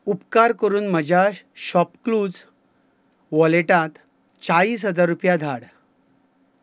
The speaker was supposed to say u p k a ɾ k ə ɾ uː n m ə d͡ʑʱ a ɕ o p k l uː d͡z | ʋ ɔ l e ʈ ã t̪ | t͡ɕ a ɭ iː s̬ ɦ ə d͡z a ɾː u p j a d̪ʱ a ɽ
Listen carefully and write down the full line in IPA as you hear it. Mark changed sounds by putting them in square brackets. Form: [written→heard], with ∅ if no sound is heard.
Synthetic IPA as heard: u p k a ɾ k ə ɾ uː n m ə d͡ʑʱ a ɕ [o→ɔ] p k l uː d͡z | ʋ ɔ l e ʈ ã t̪ | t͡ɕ a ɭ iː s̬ ɦ ə d͡z a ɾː u p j a d̪ʱ a ɽ